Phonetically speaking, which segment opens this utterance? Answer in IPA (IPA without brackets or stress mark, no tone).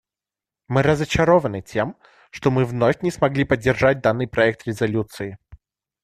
m